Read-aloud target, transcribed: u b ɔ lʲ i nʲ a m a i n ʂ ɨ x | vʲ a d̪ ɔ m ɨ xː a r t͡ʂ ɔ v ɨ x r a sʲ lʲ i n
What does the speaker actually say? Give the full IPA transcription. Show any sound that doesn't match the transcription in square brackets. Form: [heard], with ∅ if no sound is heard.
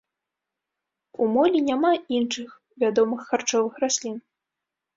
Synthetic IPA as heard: u [m] ɔ lʲ i nʲ a m a i n ʂ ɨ x | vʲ a d̪ ɔ m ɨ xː a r t͡ʂ ɔ v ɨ x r a sʲ lʲ i n